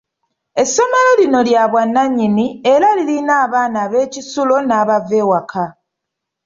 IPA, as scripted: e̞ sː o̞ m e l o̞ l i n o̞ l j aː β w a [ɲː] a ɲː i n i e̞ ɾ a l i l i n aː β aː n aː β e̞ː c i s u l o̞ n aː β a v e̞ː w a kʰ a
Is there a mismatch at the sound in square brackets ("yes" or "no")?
yes